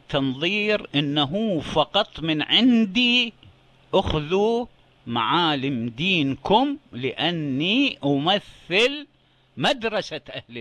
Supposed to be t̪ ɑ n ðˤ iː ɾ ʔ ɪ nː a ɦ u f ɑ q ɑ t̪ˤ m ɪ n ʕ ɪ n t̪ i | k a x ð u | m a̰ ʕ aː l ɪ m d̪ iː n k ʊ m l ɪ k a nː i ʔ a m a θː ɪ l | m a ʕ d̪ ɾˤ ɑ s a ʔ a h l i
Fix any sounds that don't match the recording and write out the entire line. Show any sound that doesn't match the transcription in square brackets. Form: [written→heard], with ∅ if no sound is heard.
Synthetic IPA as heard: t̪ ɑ n ðˤ iː ɾ ʔ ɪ nː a ɦ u f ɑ q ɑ t̪ˤ m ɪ n ʕ ɪ n [t̪→d̪] i | [k→ʔ] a x ð u | m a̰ ʕ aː l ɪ m d̪ iː n k ʊ m l ɪ [k→ʔ] a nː i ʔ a m a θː ɪ l | m a [ʕ→∅] d̪ ɾˤ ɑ s a ʔ a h l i